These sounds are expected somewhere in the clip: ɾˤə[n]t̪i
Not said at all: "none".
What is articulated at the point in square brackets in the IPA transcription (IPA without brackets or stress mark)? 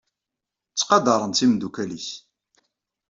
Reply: n